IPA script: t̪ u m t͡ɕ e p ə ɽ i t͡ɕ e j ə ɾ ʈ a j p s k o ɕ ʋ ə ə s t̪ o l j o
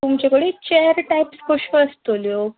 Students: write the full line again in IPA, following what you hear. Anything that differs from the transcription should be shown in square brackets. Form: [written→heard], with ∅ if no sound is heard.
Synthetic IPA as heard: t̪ u m t͡ɕ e [p→k] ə ɽ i t͡ɕ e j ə ɾ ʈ a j p s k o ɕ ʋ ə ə s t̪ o l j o

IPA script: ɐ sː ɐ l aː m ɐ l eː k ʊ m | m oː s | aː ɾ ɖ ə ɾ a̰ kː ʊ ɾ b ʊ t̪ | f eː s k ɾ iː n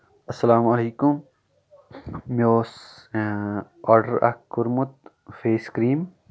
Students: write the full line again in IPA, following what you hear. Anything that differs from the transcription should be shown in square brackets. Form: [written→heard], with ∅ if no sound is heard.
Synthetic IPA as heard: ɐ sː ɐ l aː m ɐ l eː k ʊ m | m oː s | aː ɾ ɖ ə ɾ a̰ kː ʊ ɾ [b→m] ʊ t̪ | f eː s k ɾ iː [n→m]

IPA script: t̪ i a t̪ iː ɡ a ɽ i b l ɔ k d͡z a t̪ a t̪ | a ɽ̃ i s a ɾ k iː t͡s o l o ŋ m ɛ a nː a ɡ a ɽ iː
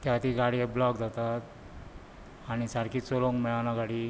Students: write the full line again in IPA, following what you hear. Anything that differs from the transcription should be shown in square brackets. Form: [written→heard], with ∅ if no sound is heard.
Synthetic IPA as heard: t̪ [i→j] a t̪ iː ɡ a ɽ i b l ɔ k d͡z a t̪ a t̪ | a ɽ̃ i s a ɾ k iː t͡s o l o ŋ m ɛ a [nː→n] a ɡ a ɽ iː

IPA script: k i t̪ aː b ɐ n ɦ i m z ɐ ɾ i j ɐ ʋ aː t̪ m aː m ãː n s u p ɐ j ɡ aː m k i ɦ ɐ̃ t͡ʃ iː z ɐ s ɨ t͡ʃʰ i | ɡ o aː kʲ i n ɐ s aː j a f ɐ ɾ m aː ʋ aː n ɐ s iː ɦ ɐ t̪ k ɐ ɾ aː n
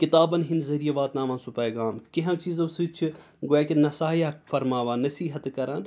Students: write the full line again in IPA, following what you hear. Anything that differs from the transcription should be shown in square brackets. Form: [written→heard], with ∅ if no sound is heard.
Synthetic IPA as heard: k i t̪ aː b ɐ n ɦ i [m→n] z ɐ ɾ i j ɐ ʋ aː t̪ [m→n] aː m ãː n s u p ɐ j ɡ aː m k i ɦ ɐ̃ t͡ʃ iː z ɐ s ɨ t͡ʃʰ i | ɡ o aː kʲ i n ɐ s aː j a f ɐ ɾ m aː ʋ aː n ɐ s iː ɦ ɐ t̪ k ɐ ɾ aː n

